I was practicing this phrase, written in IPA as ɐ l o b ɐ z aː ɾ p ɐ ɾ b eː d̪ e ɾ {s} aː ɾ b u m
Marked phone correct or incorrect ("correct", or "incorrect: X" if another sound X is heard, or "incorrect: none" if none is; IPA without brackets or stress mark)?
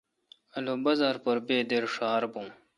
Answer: incorrect: ʂ